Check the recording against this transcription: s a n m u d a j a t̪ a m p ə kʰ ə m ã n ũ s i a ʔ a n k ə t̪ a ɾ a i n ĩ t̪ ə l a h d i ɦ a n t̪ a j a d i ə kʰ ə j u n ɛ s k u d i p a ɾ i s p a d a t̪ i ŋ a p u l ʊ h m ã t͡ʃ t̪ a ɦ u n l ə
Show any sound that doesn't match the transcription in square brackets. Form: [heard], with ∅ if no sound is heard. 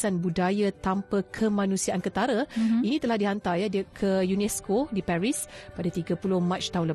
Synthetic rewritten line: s a n [b] u d a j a t̪ a m p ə kʰ ə m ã n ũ s i a ʔ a n k ə t̪ a ɾ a i n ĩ t̪ ə l a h d i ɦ a n t̪ a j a d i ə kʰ ə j u n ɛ s k [o] d i p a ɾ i s p a d a t̪ i [ɡ] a p u l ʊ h m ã t͡ʃ t̪ a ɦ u n l ə